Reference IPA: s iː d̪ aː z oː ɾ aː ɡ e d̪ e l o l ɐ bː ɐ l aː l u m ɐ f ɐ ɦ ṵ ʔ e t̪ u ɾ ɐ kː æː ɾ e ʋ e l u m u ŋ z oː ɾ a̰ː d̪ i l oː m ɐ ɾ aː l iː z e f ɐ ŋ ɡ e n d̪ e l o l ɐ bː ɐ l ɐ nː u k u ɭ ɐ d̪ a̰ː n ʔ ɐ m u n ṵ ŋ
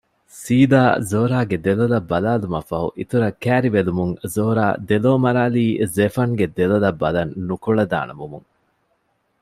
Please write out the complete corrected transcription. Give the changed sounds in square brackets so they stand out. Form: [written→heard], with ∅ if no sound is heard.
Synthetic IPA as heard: s iː d̪ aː z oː ɾ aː ɡ e d̪ e l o l ɐ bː ɐ l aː l u m ɐ f ɐ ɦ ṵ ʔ [e→i] t̪ u ɾ ɐ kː æː ɾ [e→i] ʋ e l u m u ŋ z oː ɾ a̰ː d̪ [i→e] l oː m ɐ ɾ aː l iː z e f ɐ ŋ ɡ e [n→∅] d̪ e l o l ɐ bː ɐ l ɐ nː u k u ɭ ɐ d̪ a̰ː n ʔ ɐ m u [n→m] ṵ ŋ